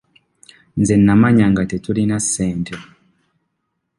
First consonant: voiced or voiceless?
voiced